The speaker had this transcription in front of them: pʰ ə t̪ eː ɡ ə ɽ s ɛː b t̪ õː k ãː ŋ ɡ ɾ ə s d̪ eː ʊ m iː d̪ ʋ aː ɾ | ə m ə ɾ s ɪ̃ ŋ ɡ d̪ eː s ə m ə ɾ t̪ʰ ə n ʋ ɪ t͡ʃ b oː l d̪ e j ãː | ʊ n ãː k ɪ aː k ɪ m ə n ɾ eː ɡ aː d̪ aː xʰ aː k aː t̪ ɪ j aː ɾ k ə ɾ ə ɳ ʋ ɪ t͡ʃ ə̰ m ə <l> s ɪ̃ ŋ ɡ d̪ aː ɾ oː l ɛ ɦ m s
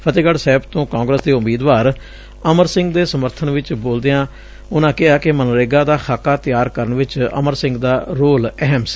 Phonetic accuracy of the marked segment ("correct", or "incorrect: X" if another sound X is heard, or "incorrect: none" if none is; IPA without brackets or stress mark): incorrect: ɾ